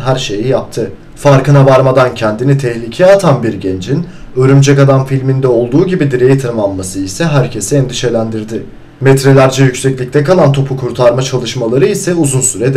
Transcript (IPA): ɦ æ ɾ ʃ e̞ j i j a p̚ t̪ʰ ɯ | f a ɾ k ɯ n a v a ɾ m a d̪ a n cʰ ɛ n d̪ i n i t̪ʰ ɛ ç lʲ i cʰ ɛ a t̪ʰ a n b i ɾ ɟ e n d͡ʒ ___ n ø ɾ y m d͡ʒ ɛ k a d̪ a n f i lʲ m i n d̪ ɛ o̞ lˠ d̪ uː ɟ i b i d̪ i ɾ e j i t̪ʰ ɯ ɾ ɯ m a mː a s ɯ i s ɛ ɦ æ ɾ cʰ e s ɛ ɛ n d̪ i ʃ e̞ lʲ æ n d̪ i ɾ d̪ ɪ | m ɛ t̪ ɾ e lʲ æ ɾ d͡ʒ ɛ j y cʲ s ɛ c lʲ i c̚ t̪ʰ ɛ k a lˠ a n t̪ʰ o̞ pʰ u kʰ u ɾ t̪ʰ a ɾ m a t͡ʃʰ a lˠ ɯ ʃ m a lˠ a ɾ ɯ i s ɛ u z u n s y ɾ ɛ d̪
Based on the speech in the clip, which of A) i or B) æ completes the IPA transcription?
A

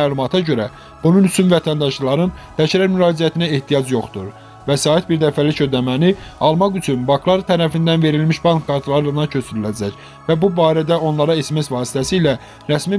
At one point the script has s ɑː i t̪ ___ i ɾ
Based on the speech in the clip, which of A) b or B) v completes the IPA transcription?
A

